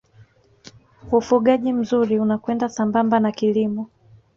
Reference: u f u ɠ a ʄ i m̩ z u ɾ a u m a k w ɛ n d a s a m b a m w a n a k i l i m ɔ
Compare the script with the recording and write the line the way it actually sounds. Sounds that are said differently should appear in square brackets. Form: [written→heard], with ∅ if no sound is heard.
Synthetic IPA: u f u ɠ a ʄ i m̩ z u ɾ [a→i] u [m→n] a k w ɛ n d a s a m b a m [w→b] a n a k i l i m ɔ